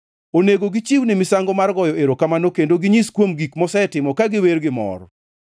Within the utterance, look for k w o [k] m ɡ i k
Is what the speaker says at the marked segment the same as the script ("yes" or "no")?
no